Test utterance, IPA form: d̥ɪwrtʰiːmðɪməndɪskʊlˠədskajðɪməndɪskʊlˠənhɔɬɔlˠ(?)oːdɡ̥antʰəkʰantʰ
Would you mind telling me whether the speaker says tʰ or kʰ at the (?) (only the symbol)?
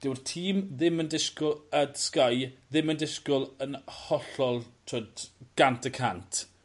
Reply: tʰ